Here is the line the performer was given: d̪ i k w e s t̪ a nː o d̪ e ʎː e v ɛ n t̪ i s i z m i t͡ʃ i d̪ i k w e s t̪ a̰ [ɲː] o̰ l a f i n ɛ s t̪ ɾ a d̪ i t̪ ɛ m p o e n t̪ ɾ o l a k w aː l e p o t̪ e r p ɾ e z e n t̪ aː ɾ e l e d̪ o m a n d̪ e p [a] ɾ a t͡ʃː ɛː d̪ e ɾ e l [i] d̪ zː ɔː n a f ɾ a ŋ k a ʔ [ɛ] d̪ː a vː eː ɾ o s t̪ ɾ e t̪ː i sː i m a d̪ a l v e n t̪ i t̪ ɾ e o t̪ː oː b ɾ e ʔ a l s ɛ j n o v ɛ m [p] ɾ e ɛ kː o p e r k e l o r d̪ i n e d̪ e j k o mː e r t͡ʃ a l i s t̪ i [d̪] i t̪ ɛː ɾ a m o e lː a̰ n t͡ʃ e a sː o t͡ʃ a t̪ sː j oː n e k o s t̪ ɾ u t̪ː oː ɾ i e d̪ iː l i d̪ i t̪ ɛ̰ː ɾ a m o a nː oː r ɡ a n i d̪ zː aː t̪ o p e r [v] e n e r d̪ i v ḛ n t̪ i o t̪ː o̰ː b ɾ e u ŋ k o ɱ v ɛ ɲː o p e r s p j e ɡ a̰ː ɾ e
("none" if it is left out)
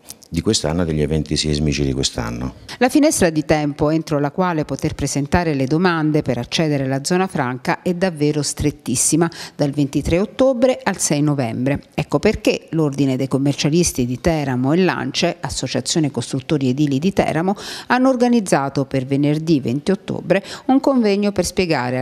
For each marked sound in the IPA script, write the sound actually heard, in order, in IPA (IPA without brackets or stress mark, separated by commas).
nː, e, a, ɛ, b, d̪, v